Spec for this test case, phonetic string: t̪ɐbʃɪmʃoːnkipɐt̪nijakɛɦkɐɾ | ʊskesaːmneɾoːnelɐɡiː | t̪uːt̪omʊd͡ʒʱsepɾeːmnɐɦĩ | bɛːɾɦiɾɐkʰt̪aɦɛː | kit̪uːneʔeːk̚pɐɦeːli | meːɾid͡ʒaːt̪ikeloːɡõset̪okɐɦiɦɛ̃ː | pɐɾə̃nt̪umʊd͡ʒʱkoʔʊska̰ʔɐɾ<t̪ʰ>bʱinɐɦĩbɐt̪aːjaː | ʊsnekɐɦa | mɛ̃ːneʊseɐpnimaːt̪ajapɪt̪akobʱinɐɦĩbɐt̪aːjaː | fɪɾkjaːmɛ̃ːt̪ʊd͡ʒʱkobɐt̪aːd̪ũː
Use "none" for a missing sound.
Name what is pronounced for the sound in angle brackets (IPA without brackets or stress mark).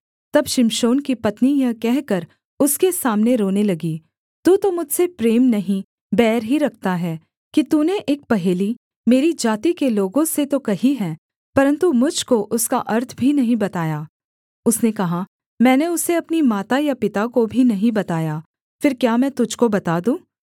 t̪ʰ